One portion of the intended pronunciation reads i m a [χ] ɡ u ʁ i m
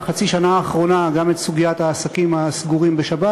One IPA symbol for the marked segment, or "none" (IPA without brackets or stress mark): s